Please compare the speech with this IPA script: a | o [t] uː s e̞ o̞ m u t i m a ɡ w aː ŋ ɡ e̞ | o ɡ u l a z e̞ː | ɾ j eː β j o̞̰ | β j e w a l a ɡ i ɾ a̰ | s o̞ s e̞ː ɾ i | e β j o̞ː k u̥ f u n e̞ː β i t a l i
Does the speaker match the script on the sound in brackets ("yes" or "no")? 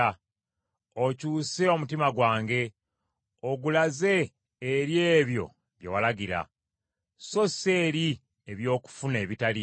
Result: no